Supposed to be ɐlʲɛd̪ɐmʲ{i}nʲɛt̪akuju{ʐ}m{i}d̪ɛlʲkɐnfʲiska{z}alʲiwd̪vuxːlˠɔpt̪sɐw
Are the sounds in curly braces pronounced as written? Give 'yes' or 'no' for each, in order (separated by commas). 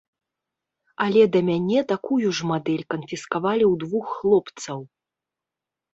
no, yes, no, no